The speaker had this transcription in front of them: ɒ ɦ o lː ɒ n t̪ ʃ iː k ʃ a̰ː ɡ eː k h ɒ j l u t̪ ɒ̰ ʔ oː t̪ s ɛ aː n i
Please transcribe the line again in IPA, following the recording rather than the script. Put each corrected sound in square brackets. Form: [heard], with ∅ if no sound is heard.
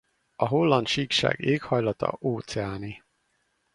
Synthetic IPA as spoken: ɒ ɦ o lː ɒ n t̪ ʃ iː k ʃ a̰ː ɡ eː k h ɒ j l [ɒ] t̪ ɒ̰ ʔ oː t̪ s ɛ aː n i